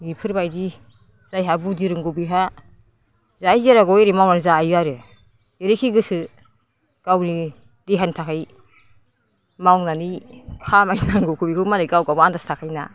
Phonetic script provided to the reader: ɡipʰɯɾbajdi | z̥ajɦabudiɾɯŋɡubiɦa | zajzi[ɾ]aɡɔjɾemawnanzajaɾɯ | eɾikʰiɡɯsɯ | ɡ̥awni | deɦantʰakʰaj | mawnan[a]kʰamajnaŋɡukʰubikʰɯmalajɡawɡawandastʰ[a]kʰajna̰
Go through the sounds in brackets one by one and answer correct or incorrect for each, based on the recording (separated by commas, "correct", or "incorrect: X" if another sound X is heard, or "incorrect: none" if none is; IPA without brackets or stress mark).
correct, incorrect: i, correct